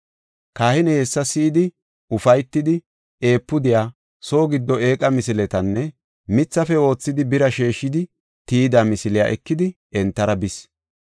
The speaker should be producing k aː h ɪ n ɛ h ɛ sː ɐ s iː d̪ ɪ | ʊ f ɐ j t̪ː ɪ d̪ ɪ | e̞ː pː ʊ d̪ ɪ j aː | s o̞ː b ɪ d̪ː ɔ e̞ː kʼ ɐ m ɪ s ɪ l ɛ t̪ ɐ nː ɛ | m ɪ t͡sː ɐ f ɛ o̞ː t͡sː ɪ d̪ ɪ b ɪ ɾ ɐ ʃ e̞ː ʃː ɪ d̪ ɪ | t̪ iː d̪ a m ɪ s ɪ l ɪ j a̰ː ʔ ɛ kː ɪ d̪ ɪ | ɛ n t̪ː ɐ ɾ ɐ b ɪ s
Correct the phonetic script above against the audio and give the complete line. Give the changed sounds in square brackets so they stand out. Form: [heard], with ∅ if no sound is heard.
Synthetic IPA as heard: k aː h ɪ n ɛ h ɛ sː ɐ s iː d̪ ɪ | ʊ f ɐ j t̪ː ɪ d̪ ɪ | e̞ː pː ʊ d̪ ɪ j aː | s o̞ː [ɡ] ɪ d̪ː ɔ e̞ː kʼ ɐ m ɪ s ɪ l ɛ t̪ ɐ nː ɛ | m ɪ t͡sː ɐ f ɛ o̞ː t͡sː ɪ d̪ ɪ b ɪ ɾ ɐ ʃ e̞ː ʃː ɪ d̪ ɪ | t̪ iː d̪ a m ɪ s ɪ l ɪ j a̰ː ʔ ɛ kː ɪ d̪ ɪ | ɛ n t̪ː ɐ ɾ ɐ b ɪ s

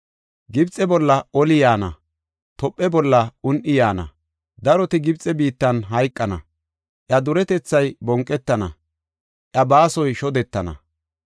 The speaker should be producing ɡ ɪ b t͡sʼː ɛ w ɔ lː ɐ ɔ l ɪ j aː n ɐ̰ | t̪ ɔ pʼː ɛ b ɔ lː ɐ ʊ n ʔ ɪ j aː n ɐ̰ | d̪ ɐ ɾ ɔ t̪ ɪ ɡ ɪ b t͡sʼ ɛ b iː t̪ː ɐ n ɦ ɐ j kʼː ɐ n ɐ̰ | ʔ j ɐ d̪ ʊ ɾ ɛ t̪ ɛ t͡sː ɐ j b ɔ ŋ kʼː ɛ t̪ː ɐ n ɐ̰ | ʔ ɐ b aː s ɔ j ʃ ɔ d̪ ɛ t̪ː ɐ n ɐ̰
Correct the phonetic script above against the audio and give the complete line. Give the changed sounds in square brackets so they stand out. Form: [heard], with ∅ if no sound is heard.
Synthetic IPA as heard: ɡ ɪ b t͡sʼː ɛ [b] ɔ lː ɐ ɔ l ɪ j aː n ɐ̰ | t̪ ɔ pʼː ɛ b ɔ lː ɐ ʊ n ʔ ɪ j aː n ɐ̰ | d̪ ɐ ɾ ɔ t̪ ɪ ɡ ɪ b t͡sʼ ɛ b iː t̪ː ɐ n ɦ ɐ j kʼː ɐ n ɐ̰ | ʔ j ɐ d̪ ʊ ɾ ɛ t̪ ɛ t͡sː ɐ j b ɔ ŋ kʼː ɛ t̪ː ɐ n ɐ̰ | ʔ ɐ b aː s ɔ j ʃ ɔ d̪ ɛ t̪ː ɐ n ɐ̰

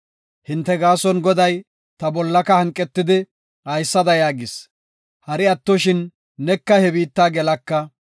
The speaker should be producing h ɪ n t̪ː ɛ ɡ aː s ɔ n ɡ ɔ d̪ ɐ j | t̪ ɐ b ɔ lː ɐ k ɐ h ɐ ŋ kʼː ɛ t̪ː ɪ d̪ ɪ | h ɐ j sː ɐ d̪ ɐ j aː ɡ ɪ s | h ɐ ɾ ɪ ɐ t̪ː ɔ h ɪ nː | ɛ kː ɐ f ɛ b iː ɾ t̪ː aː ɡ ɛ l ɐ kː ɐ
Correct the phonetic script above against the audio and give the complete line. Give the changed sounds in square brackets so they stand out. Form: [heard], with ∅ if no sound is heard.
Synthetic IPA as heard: h ɪ n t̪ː ɛ ɡ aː s ɔ n ɡ ɔ d̪ ɐ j | t̪ ɐ b ɔ lː ɐ k ɐ h ɐ ŋ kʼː ɛ t̪ː ɪ d̪ ɪ | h ɐ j sː ɐ d̪ ɐ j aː ɡ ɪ s | h ɐ ɾ ɪ ɐ t̪ː ɔ [ʃ] ɪ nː | ɛ kː ɐ [h] ɛ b iː [∅] t̪ː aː ɡ ɛ l ɐ kː ɐ

